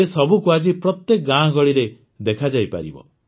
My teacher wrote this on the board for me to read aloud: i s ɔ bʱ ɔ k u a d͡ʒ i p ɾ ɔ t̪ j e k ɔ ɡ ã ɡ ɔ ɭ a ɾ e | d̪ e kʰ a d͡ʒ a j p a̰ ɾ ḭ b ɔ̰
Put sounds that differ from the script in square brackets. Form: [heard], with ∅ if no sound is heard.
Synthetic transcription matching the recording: [e] s ɔ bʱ [u] k u a d͡ʒ i p ɾ ɔ t̪ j e k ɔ ɡ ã ɡ ɔ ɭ [i] ɾ e | d̪ e kʰ a d͡ʒ a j p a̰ ɾ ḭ b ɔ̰